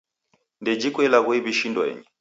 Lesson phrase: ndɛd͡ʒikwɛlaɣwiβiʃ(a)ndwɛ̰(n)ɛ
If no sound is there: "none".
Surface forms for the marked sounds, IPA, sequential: i, ɲ

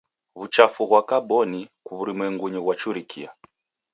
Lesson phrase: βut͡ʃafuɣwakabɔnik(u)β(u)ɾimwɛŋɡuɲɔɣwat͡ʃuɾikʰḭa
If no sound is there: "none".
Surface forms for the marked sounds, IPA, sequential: u, u

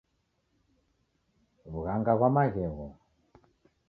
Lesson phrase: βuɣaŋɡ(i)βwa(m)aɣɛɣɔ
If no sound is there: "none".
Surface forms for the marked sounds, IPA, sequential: a, m

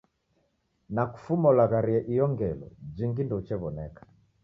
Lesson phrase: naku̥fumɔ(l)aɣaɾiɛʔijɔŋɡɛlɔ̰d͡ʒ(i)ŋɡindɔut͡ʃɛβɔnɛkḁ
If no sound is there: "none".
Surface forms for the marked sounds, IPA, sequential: l, i

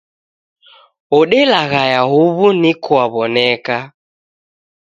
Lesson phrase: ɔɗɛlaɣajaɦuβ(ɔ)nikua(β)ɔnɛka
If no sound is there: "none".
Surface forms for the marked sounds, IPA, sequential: u, β

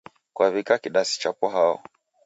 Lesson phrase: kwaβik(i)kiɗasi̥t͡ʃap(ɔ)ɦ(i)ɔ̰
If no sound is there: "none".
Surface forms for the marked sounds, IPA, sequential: a, ɔ, a

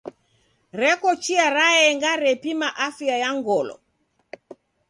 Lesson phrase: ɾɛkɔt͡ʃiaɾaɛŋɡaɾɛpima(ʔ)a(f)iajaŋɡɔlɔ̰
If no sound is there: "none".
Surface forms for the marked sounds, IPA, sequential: ʔ, f

